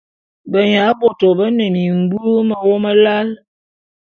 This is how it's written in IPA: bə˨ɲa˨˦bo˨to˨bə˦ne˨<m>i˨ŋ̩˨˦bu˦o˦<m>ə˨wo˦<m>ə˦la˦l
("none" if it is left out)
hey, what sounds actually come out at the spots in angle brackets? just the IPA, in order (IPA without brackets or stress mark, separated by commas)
m, m, m